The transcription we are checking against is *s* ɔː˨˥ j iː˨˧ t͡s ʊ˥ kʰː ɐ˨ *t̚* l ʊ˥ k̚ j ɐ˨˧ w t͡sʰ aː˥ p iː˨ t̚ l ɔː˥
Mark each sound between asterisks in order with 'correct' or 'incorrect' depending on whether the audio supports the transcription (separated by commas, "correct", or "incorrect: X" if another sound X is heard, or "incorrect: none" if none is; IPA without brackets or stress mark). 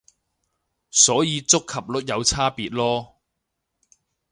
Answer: correct, incorrect: p̚